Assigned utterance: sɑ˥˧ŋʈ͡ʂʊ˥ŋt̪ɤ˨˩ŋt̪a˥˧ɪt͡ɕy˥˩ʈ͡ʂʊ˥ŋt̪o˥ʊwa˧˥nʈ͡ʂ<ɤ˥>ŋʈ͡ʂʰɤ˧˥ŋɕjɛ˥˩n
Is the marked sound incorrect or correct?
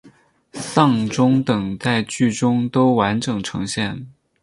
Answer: incorrect